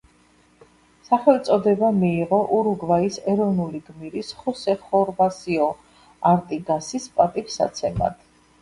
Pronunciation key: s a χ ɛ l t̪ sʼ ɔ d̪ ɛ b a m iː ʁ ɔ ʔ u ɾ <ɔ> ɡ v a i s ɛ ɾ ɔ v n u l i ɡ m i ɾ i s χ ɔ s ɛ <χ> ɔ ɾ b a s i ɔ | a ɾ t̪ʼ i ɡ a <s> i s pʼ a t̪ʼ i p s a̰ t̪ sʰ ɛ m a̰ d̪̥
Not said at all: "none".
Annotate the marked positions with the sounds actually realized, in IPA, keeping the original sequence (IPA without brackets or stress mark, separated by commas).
u, χ, s